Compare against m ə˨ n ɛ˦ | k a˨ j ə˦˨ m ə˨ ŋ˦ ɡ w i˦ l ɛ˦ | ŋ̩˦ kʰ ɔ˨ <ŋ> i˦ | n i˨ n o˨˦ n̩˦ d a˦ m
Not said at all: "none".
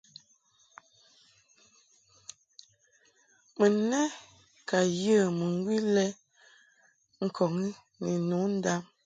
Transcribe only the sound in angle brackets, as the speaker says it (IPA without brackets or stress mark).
ŋ